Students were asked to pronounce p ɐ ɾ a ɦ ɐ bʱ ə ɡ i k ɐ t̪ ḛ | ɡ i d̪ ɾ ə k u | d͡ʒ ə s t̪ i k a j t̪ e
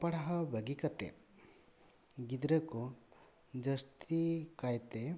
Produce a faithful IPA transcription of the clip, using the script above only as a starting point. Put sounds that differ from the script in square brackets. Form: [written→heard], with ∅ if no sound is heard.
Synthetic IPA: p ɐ [ɾ→ɽ] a ɦ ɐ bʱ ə ɡ i k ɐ t̪ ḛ | ɡ i d̪ ɾ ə k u | d͡ʒ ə s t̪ i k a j t̪ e